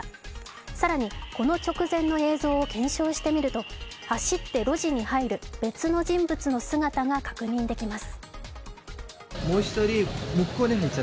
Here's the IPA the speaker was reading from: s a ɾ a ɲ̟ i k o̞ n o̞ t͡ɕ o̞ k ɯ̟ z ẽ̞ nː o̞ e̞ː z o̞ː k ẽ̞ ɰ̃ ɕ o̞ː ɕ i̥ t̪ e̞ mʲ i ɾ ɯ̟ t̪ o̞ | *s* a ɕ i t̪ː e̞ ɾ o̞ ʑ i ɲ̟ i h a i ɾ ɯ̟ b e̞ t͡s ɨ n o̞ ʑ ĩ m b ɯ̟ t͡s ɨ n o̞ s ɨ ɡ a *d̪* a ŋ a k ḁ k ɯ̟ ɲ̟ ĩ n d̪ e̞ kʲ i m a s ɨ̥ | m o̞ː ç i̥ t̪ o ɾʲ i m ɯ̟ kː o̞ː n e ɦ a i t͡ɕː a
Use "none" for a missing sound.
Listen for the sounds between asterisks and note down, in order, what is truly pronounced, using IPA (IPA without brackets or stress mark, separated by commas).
h, t̪